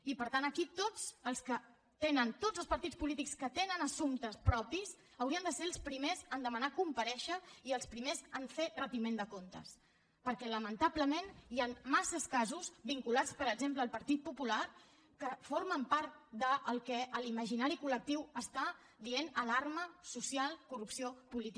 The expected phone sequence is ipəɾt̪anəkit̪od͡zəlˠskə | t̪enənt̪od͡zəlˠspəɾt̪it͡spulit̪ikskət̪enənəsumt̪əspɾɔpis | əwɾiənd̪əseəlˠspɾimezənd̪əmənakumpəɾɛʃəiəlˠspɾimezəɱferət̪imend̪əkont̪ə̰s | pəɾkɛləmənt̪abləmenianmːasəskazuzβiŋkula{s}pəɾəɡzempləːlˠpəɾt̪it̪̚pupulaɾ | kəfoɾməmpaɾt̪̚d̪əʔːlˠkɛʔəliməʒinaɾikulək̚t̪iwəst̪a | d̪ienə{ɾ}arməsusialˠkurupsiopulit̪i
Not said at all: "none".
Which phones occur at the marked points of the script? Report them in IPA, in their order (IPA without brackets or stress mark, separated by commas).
t͡s, l